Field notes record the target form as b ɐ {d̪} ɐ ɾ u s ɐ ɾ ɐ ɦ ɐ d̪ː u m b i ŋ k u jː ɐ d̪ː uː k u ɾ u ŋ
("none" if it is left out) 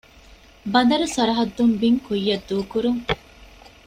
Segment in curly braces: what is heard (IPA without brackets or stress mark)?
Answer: d̪